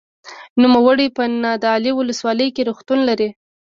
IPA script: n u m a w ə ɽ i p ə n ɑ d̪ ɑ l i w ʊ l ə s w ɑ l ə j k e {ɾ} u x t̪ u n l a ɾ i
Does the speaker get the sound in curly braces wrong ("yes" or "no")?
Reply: no